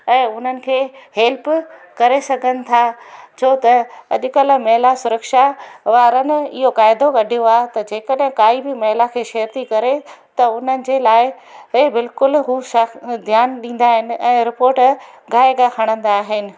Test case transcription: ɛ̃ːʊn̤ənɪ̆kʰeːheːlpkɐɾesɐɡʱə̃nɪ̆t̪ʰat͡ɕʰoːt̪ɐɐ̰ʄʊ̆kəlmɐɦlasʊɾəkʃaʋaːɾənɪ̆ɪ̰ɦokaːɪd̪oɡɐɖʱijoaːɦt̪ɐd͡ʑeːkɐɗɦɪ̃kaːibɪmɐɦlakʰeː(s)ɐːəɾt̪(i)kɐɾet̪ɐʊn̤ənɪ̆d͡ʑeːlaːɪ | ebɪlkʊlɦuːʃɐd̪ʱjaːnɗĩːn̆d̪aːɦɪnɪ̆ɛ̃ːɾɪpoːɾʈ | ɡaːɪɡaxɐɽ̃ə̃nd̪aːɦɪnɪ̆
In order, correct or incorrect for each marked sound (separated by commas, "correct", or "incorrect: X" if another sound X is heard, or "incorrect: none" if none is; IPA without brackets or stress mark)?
incorrect: ʃ, correct